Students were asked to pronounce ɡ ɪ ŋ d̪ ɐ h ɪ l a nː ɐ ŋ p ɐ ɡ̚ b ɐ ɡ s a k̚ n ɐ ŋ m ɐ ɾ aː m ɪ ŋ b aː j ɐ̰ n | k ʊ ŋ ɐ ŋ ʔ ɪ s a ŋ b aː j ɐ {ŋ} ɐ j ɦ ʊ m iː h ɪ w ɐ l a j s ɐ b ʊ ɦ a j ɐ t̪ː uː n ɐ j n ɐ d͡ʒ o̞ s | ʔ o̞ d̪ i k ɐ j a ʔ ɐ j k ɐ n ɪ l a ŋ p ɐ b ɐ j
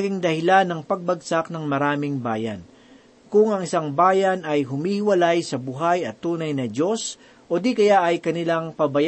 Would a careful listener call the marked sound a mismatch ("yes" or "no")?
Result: yes